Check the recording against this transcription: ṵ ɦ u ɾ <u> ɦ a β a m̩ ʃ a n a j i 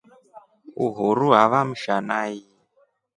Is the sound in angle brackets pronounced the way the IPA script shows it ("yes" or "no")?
yes